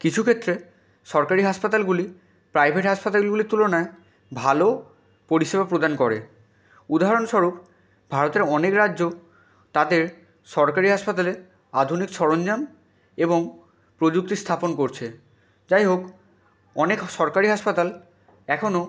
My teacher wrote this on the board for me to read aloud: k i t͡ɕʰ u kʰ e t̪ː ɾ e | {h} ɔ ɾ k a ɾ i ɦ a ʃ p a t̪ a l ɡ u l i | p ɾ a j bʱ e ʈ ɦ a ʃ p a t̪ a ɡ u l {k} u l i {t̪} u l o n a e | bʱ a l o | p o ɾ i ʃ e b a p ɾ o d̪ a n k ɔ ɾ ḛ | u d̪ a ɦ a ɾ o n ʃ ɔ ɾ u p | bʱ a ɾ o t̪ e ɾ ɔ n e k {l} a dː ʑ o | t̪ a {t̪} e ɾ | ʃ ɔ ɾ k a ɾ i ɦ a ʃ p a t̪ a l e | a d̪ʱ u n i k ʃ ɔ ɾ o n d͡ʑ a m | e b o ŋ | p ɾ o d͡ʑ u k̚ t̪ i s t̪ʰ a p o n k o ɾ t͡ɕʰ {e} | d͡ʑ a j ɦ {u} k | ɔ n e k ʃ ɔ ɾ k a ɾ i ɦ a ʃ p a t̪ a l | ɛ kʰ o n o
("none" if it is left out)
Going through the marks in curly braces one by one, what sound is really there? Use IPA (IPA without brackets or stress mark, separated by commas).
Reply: ʃ, ɡ, t̪, ɾ, d̪, e, o